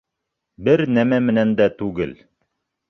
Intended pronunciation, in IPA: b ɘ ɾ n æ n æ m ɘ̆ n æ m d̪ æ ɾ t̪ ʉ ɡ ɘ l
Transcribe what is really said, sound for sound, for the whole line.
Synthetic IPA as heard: b ɘ ɾ n æ m æ m ɘ̆ n æ n d̪ æ t̪ ʉ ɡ ɘ l